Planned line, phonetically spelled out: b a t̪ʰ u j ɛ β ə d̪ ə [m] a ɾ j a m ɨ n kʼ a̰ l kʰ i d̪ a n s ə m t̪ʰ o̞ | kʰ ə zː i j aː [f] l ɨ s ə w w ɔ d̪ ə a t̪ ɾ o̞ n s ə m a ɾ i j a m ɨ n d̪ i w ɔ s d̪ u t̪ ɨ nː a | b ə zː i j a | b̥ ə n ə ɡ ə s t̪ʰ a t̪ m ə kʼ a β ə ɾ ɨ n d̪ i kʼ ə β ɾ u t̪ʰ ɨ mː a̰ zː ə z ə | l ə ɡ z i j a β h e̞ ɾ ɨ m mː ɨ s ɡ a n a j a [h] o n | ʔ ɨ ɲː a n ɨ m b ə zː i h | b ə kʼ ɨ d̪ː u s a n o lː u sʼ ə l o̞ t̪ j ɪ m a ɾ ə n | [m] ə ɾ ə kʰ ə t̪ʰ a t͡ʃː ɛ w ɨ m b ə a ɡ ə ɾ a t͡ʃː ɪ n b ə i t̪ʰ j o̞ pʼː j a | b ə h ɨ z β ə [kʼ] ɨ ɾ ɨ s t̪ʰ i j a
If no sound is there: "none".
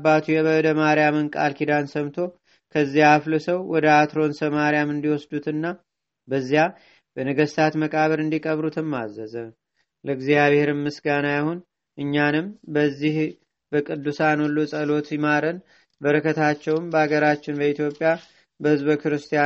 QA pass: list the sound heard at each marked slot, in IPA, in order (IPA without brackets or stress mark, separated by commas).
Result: m, f, h, b, k